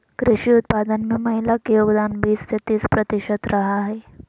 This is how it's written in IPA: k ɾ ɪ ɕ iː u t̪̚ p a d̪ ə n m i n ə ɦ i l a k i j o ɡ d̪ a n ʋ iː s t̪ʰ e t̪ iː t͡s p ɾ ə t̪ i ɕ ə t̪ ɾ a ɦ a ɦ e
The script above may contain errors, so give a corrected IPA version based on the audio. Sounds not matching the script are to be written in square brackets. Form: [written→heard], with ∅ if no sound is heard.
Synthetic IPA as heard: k ɾ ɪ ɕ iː u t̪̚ p a d̪ ə n m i [n→m] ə ɦ i l a k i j o ɡ d̪ a n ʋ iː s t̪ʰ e t̪ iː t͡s p ɾ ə t̪ i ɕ ə t̪ ɾ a ɦ a ɦ e